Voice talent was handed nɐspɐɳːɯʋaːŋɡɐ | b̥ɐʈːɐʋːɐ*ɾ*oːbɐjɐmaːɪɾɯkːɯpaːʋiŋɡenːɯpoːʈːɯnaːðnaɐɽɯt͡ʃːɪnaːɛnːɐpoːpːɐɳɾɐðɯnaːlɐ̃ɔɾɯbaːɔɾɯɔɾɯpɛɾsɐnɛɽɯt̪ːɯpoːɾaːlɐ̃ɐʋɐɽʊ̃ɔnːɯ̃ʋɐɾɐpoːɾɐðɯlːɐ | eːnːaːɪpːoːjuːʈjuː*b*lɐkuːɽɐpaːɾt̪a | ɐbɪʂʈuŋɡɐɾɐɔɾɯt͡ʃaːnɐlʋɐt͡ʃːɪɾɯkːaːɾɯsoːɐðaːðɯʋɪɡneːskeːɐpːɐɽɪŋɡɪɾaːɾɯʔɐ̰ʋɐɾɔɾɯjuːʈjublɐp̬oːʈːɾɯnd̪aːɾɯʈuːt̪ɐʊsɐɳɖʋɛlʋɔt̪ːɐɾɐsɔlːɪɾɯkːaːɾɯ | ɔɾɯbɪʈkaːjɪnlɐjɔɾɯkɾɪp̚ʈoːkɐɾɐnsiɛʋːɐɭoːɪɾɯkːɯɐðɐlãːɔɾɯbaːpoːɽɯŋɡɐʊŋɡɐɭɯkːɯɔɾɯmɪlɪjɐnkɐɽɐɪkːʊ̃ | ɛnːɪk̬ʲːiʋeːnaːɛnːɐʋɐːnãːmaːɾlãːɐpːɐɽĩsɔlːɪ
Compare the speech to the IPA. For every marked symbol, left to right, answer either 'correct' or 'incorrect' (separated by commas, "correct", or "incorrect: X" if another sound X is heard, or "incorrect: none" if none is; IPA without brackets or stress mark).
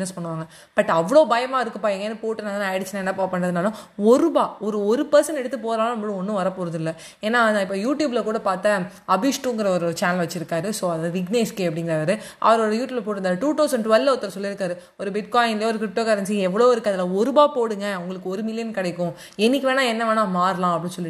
incorrect: ɭ, correct